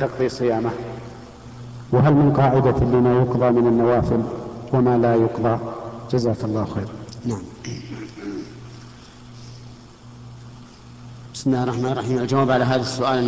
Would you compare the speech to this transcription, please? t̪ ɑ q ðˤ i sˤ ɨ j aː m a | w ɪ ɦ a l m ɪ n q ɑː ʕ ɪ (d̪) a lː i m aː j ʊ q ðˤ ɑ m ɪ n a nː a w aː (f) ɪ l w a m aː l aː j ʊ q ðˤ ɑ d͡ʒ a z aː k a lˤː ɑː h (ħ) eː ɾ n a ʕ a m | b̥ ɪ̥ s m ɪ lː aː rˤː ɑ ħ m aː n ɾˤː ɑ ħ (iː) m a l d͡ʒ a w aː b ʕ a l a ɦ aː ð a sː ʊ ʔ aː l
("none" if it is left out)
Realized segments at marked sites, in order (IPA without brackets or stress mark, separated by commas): d̪, f, x, iː